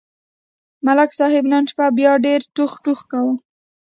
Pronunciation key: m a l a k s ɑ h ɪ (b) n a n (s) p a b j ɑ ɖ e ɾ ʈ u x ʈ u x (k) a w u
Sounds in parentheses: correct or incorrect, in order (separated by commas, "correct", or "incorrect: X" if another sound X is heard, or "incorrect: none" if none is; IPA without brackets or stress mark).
correct, incorrect: ʃ, correct